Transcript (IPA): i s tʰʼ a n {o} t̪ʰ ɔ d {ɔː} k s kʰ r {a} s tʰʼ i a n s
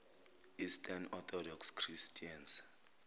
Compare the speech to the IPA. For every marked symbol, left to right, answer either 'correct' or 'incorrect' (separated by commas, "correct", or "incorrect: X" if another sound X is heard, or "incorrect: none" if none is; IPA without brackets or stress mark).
incorrect: ɔ, incorrect: ɔ, incorrect: i